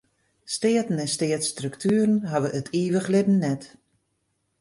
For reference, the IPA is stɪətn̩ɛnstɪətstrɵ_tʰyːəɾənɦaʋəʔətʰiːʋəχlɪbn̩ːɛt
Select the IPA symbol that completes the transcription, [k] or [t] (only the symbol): k